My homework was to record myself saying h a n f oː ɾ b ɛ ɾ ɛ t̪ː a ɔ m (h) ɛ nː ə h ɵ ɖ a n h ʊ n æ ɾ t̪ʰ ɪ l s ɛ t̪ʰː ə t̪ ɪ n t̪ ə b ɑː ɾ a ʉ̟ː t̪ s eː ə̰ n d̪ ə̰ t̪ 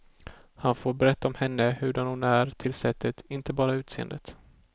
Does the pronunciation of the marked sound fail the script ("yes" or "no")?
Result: no